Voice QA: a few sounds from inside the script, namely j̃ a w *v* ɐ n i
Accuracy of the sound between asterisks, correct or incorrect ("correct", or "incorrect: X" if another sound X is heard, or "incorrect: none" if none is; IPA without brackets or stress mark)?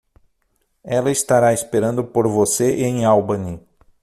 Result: incorrect: b